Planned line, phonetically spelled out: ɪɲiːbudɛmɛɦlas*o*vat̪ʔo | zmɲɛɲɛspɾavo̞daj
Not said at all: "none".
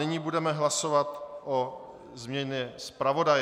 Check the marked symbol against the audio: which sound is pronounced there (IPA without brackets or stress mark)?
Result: o